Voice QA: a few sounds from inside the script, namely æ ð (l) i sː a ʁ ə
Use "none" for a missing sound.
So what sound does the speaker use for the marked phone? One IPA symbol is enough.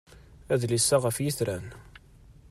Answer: l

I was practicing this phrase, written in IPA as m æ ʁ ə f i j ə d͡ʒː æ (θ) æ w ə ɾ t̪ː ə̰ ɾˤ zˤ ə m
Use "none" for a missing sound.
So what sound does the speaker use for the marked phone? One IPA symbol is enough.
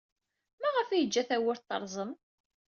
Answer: θ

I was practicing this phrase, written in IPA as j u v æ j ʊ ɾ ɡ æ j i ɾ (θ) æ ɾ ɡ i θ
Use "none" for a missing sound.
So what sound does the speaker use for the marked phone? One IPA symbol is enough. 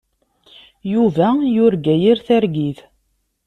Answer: θ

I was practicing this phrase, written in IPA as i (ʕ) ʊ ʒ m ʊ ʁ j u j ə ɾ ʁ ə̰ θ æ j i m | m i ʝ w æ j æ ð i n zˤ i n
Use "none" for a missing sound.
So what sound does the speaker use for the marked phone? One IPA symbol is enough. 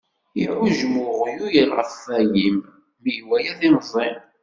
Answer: ʕ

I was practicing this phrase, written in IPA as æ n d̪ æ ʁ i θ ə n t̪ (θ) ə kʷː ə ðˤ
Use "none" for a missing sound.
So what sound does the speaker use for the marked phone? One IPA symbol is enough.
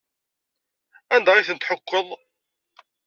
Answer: ħ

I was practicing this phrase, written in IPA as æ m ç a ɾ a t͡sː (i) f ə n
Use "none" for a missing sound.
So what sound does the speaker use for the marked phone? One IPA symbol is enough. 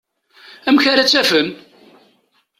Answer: æ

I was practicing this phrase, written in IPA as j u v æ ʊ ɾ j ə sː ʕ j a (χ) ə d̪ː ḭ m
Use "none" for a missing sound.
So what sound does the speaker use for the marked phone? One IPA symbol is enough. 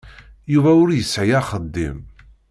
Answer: χ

